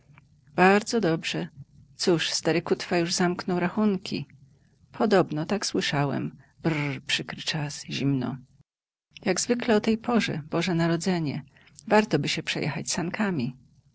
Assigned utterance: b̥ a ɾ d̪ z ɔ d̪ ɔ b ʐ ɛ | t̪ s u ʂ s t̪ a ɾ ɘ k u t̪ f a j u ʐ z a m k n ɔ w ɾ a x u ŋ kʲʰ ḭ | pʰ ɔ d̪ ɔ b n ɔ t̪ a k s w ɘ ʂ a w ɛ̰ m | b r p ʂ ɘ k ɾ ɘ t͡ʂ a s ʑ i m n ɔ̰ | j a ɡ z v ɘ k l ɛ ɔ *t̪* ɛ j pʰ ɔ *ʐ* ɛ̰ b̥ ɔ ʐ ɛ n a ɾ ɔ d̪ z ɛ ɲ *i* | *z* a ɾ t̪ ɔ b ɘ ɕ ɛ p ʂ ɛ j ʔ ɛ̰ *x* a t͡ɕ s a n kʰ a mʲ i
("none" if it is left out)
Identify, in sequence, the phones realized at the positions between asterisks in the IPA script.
t̪, ʐ, ɛ, v, x

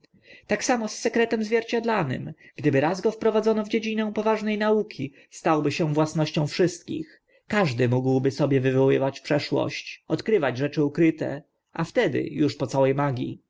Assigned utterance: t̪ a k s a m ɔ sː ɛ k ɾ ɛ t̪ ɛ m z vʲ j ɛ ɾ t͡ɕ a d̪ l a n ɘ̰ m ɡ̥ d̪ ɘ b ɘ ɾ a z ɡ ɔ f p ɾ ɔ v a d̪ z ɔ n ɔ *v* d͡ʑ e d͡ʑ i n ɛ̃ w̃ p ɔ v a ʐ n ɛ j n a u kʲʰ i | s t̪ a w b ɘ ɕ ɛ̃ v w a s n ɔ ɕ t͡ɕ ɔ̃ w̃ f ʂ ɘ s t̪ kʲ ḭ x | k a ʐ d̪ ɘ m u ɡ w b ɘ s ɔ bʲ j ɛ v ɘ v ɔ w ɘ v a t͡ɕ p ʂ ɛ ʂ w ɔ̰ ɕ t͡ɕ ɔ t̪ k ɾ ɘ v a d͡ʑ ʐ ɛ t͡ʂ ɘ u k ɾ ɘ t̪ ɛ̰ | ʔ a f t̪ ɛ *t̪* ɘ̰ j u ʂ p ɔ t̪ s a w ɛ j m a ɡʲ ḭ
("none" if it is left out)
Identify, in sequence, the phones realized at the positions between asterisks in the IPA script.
v, d̪

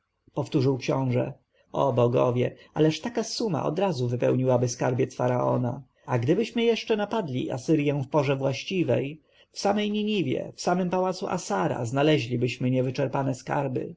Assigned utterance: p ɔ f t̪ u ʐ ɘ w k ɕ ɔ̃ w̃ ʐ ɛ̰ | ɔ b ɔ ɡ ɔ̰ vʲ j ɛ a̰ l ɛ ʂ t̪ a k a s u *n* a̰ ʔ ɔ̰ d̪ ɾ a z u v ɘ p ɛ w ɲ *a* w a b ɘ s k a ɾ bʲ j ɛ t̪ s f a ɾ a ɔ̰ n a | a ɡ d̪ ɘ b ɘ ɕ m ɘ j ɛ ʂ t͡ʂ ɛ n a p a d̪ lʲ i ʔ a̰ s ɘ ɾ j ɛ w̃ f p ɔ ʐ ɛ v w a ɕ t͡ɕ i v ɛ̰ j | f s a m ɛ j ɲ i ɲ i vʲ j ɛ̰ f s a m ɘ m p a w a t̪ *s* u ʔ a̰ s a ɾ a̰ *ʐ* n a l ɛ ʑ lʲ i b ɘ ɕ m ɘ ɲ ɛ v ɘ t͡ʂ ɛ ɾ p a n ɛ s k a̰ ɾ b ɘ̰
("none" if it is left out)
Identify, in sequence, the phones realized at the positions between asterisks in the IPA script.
m, i, s, z

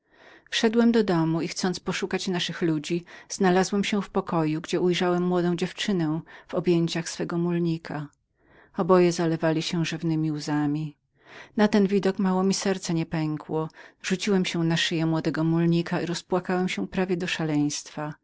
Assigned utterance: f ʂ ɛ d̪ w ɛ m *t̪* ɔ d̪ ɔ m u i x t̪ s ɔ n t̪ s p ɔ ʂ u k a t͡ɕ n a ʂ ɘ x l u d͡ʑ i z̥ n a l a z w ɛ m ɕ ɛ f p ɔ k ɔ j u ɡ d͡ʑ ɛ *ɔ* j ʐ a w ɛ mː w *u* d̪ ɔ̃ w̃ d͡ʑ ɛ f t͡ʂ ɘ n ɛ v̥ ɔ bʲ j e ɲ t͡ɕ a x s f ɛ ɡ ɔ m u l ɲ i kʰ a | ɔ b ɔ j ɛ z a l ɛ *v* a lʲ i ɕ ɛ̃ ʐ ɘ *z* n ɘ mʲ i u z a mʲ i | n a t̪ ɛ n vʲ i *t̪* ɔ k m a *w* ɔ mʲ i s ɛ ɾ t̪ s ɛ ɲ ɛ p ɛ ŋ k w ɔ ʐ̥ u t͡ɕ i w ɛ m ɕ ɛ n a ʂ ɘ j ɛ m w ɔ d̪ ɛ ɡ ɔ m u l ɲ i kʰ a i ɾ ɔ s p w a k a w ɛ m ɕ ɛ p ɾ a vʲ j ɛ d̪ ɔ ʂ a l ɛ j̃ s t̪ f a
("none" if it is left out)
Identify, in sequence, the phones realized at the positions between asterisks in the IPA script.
d̪, u, ɔ, v, v, d̪, w

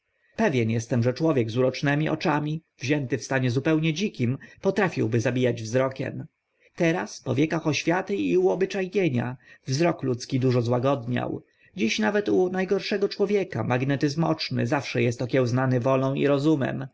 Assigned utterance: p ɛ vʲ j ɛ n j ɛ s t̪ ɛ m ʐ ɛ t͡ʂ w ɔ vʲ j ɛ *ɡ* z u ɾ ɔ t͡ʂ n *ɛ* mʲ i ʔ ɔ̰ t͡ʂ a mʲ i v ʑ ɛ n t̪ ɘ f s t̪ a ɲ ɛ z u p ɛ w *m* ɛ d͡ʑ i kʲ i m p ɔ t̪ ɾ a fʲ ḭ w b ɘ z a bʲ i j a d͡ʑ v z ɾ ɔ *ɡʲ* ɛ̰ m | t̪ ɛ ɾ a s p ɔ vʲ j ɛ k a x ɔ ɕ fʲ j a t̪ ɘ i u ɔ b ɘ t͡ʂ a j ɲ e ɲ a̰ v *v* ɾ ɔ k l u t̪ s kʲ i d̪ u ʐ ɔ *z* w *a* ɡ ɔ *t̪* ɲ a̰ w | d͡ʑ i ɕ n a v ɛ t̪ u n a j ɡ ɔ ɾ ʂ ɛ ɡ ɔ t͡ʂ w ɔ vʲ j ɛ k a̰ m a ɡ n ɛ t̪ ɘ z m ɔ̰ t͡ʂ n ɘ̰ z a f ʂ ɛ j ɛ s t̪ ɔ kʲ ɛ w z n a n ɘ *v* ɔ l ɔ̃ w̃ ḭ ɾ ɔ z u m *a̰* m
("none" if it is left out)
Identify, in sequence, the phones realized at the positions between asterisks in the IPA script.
ɡ, ɛ, ɲ, kʲ, z, z, a, d̪, v, ɛ̰

